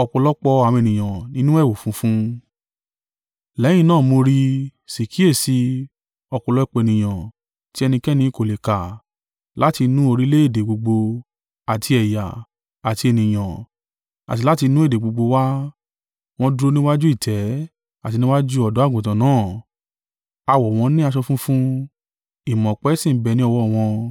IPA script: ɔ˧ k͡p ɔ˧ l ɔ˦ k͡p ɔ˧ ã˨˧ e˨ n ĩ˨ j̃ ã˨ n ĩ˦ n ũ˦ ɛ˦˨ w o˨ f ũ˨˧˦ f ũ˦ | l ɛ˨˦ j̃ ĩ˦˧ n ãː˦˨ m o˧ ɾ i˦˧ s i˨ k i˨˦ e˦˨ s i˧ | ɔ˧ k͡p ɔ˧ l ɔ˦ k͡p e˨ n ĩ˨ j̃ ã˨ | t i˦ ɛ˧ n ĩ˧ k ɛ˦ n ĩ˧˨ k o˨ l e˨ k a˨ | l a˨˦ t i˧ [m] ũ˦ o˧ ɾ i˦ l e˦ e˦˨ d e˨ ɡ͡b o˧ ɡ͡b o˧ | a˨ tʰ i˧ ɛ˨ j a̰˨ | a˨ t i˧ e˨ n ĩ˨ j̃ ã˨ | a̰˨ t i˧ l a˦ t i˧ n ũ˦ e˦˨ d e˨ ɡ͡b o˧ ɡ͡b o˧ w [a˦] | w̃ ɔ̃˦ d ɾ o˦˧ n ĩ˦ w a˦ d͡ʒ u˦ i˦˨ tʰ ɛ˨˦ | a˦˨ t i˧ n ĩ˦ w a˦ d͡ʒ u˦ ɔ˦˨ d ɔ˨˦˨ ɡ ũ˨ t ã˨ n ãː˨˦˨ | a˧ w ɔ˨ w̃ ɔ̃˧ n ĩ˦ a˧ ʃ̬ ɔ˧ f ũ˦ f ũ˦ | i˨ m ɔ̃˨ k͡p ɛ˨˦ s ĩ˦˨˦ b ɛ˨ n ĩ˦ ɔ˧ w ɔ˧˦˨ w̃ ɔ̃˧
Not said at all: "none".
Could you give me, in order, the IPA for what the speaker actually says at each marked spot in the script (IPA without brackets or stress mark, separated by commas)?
n, a˦